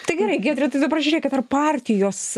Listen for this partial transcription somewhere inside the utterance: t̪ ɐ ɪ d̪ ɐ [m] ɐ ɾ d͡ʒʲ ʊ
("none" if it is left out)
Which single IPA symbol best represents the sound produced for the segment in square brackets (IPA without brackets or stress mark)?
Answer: b